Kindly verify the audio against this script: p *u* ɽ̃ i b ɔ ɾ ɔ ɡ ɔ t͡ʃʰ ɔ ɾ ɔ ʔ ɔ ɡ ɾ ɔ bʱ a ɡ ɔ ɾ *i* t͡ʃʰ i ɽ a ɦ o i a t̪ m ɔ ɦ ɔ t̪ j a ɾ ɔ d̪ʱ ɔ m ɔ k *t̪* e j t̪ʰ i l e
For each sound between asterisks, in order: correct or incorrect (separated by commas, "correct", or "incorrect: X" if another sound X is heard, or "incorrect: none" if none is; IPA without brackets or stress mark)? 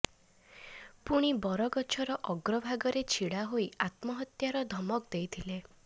correct, incorrect: e, incorrect: d̪